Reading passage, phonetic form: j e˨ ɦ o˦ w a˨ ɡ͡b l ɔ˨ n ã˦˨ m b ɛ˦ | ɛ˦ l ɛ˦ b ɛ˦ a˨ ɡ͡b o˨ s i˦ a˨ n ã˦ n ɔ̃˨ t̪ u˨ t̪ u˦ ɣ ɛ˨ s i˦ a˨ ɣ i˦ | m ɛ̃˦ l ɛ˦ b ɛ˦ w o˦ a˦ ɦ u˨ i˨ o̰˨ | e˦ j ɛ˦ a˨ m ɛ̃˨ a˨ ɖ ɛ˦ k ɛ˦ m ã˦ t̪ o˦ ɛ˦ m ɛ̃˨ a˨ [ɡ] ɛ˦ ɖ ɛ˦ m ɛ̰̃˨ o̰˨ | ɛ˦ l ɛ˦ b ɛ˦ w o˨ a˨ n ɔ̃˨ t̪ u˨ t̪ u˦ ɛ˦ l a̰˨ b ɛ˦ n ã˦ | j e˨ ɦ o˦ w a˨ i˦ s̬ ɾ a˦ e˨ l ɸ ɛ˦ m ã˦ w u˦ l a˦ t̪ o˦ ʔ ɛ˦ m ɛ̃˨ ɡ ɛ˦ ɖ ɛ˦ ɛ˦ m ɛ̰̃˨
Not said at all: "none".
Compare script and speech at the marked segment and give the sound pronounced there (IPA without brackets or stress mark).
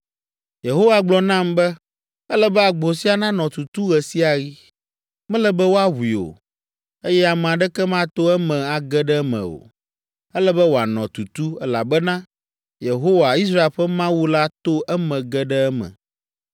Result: ɡ